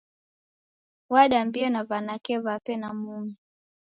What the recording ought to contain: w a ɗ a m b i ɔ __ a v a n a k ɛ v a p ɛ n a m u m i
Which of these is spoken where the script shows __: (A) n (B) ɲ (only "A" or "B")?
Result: A